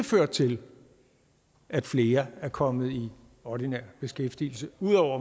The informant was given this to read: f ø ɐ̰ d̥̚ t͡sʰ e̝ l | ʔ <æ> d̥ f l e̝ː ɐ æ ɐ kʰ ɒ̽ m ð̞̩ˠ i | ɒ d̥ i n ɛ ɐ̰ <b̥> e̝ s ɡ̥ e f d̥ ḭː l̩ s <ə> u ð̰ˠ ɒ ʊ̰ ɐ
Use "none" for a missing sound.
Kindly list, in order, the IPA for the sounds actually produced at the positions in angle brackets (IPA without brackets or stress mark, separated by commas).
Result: æ, b̥, ə